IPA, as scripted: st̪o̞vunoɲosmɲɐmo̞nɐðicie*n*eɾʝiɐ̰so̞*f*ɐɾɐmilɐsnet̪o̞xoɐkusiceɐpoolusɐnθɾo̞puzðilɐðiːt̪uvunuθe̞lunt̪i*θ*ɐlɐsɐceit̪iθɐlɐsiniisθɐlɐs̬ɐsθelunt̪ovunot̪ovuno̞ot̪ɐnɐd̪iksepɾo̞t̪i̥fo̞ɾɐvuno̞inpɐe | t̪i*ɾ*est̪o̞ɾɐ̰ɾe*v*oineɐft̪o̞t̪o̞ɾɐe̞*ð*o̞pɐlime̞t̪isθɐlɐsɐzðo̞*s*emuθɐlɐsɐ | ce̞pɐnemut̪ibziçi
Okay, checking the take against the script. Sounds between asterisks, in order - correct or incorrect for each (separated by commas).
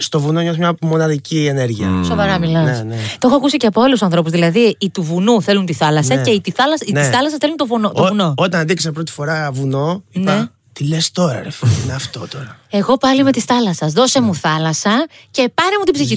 correct, incorrect, correct, incorrect, incorrect, incorrect, correct